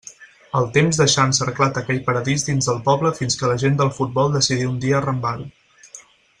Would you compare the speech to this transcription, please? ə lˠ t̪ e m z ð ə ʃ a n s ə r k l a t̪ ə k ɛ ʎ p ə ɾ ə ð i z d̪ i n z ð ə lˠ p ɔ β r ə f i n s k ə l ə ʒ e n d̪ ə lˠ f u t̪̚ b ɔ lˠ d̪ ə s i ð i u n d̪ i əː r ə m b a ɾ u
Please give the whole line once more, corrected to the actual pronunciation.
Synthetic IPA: ə lˠ t̪ e m z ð ə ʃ a n s ə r k l a t̪ ə k ɛ ʎ p ə ɾ ə ð i z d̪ i n z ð ə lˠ p ɔ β l ə f i n s k ə l ə ʒ e n d̪ ə lˠ f u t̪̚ b ɔ lˠ d̪ ə s i ð i u n d̪ i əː r ə m b a ɾ u